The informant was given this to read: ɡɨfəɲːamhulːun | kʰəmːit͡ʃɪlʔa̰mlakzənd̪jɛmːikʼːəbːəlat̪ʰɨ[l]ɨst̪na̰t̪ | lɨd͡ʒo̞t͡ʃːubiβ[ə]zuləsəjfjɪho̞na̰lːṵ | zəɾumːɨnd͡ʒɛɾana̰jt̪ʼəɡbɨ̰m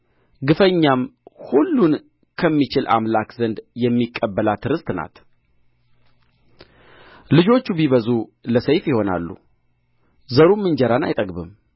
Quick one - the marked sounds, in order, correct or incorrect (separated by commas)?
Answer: incorrect, correct